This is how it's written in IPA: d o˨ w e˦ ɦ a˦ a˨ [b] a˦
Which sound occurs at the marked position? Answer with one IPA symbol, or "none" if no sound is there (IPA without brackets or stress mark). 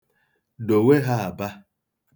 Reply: b